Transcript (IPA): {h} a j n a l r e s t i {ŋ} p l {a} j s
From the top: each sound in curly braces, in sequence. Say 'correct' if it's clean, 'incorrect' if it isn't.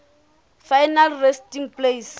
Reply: incorrect: f, correct, incorrect: e

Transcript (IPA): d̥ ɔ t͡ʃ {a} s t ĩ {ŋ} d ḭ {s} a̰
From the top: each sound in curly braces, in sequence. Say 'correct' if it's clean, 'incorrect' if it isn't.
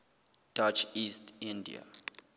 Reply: incorrect: i, incorrect: n, incorrect: none

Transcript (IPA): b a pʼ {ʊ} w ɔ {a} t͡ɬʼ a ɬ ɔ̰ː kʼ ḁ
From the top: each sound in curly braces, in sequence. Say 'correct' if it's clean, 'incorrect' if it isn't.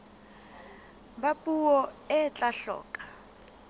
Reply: incorrect: u, incorrect: ɛ

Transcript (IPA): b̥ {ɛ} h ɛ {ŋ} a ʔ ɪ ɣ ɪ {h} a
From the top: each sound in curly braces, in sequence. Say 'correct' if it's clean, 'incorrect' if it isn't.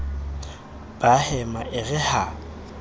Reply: incorrect: a, incorrect: m, correct

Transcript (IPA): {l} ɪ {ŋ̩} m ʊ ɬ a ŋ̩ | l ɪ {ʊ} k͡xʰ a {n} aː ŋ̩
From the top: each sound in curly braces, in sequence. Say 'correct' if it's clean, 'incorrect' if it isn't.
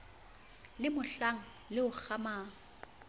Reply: correct, incorrect: none, correct, incorrect: m

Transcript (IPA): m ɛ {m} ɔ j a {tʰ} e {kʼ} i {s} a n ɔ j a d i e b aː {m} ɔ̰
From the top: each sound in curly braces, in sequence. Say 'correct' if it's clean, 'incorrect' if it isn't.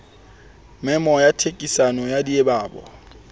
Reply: correct, correct, correct, correct, incorrect: b

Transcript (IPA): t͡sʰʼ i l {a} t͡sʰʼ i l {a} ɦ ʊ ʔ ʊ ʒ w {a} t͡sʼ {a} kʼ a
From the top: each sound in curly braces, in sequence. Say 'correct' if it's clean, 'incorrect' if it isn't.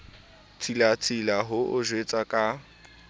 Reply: correct, correct, incorrect: e, correct

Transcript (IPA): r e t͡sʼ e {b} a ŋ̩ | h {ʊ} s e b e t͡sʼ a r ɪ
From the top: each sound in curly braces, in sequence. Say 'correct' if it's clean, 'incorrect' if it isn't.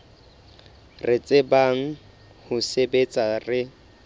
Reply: correct, correct

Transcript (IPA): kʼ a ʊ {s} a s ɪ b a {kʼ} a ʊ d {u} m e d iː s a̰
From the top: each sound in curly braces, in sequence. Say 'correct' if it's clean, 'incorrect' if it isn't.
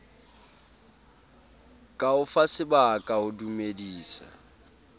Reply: incorrect: f, correct, correct

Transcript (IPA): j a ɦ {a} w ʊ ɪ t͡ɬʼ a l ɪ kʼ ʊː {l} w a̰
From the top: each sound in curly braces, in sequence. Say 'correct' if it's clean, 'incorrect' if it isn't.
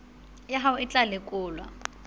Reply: correct, correct

